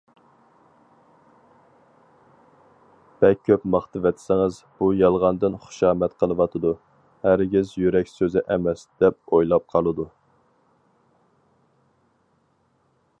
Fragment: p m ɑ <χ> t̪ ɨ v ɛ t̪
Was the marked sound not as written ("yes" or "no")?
no